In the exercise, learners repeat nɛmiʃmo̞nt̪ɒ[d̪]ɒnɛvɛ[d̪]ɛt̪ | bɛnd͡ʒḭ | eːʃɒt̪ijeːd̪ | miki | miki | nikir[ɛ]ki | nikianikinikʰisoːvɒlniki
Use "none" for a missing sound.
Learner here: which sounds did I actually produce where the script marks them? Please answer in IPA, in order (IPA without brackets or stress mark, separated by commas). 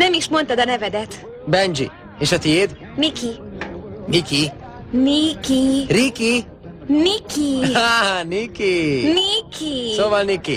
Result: d̪, d̪, i